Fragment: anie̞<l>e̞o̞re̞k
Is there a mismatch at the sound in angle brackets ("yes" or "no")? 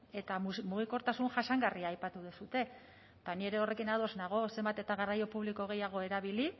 yes